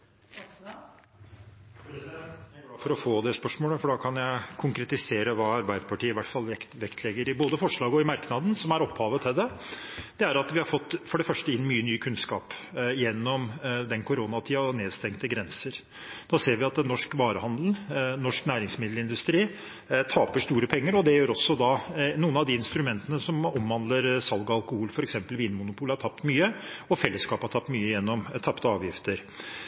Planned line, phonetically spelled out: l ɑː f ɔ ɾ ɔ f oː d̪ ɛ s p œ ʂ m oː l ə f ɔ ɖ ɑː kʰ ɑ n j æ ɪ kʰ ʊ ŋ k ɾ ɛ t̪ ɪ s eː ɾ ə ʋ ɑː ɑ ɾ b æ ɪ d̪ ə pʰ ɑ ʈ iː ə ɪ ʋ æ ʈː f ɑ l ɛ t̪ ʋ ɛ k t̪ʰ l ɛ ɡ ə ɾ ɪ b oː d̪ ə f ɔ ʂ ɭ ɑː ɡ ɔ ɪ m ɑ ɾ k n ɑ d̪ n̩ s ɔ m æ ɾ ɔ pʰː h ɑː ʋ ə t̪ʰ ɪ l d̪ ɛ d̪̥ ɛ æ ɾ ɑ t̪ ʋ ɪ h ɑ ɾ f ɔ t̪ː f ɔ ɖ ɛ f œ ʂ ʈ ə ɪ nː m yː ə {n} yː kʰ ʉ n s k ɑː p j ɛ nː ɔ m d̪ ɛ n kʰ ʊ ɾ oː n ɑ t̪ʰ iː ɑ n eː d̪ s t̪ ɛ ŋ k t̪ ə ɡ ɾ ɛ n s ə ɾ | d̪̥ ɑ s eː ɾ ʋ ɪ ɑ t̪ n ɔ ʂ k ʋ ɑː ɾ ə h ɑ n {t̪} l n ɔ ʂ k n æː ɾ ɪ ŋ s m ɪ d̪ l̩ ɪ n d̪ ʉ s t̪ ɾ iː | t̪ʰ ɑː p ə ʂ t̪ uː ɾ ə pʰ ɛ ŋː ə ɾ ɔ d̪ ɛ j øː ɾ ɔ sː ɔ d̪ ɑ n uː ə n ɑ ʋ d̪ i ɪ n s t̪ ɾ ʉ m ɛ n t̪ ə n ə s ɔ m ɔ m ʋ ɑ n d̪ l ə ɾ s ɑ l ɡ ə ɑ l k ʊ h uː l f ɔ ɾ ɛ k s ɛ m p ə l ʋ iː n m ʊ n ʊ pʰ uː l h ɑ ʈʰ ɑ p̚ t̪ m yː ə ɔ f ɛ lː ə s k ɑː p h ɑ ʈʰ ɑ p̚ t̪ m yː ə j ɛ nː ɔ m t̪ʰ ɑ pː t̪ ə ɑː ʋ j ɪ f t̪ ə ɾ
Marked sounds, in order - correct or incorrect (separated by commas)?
correct, incorrect